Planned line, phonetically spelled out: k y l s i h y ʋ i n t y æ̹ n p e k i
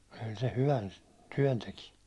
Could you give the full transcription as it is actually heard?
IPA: k y l s e h y ʋ æ n t y æ̹ n t e k i

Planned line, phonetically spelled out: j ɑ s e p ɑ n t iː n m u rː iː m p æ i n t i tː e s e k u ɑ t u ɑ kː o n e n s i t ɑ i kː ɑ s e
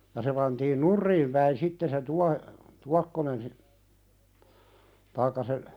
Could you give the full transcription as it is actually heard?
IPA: j ɑ s e p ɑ n t iː n n u rː iː m p æ i n s i tː e s e t u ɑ t u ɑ kː o n e n s i t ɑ i kː ɑ s e

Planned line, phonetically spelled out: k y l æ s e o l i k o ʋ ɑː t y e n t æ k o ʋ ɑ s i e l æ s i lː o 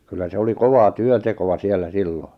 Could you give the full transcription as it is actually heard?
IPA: k y lː æ s e o l i k o ʋ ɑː t y ø n t e k o ʋ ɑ s i e lː æ s i lː o

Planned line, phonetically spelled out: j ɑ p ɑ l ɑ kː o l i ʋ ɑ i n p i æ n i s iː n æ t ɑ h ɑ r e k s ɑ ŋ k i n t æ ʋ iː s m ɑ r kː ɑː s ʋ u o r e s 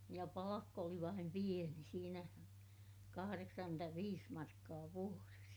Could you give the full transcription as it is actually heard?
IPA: j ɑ p ɑ l ɑ kː o l i ʋ ɑ i m p i e n i s iː n æ k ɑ h ɑ r e k s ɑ ŋ k y n t æ ʋ iː s m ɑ r kː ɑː ʋ u o r e s

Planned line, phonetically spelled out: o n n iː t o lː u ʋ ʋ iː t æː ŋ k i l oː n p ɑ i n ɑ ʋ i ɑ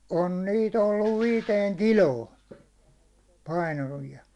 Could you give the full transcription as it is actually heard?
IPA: o n n iː t o lː u ʋ ʋ iː t eː ŋ k i l oː n p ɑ i n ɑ ʋ i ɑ

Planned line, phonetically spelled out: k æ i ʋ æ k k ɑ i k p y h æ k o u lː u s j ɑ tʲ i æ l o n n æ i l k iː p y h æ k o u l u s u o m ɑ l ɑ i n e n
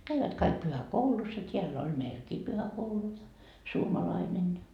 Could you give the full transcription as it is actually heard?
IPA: k æ i ʋ æ t k ɑ i k p y h æ k o u l u s j ɑ tʲ i æ lː o n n æ i l k iː p y h æ k o u l u s u o m ɑ l ɑ i n e n

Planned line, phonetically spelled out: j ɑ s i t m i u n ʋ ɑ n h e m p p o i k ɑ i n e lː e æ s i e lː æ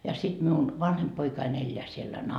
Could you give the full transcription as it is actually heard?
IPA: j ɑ s i t m i u n ʋ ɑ n h e m p p o i k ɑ i n e lː e æ s i e lː æ

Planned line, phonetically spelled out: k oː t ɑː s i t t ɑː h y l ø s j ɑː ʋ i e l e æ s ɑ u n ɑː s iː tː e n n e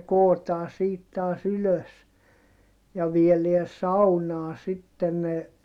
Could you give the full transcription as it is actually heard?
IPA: k oː t ɑː s iː t t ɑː s y l ø s j ɑ ʋ i e l e æ s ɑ u n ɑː s i tː e n n e

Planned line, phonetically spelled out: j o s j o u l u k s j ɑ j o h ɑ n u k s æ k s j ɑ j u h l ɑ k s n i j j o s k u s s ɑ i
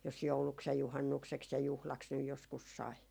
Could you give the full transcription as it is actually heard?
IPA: j o s j o u l u k s j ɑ j u h ɑ nː u k s e k s j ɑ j u h l ɑ k s n y j j o s k u s s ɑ i

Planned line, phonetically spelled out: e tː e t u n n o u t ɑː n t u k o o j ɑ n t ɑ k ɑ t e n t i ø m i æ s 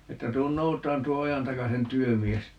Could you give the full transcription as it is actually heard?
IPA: e tː æ t uː n n o u t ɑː n t u o o j ɑ n t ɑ k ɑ s e n t y ø m i e s

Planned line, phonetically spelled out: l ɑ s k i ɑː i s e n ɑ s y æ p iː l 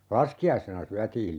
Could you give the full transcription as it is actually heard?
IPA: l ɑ s k i ɑ i s e n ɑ s y æ t iː l

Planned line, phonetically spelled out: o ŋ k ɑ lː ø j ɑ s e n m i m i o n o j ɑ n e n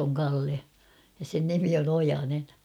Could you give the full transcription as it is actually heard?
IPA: o ŋ k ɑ lː e j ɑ s e n n i m i o n o j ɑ n e n

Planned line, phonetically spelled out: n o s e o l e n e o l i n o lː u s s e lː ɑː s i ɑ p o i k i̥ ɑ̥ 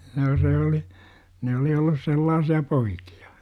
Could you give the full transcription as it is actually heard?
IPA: n oː s e o l i n e o l i o lː u s s e lː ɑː s i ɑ p o i k i̥ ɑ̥

